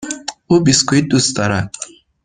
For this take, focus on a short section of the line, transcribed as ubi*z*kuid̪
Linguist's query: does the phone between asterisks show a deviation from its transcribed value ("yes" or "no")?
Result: yes